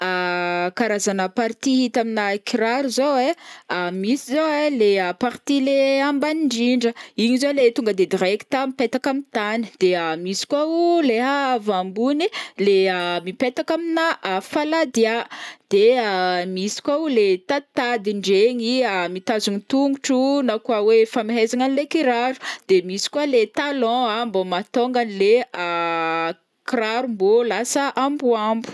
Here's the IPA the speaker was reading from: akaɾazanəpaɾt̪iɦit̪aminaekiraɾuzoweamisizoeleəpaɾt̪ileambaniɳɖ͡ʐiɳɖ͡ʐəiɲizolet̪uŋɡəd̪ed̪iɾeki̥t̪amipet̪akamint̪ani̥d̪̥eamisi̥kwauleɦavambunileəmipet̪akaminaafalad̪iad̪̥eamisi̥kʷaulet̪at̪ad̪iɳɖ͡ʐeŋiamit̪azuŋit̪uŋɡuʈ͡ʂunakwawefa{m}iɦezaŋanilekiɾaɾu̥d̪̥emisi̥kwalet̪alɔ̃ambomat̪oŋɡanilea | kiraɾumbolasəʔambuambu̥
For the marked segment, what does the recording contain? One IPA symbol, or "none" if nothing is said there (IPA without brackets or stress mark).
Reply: m